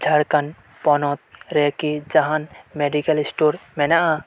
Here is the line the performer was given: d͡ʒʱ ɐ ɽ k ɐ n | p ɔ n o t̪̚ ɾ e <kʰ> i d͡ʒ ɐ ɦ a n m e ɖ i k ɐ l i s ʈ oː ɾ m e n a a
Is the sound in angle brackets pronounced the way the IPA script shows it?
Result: no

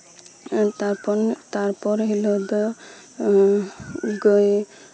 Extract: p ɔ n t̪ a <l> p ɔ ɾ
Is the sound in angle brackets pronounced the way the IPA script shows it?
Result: no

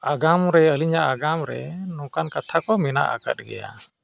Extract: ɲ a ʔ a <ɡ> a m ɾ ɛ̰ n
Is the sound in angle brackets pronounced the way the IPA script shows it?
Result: yes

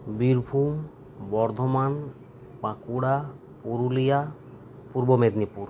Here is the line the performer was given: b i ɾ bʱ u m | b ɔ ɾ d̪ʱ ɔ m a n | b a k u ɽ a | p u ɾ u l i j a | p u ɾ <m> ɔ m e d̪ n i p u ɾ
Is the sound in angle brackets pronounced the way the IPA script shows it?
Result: no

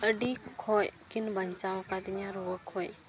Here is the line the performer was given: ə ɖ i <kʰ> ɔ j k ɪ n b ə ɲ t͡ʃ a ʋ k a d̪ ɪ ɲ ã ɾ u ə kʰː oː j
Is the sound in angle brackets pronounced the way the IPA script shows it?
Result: yes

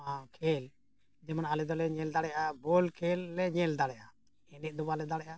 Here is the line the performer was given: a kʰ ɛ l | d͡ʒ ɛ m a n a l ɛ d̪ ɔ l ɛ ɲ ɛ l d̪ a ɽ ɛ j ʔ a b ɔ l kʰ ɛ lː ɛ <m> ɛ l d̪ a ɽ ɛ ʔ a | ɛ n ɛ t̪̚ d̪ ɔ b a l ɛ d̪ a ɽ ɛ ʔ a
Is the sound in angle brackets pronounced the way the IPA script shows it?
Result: no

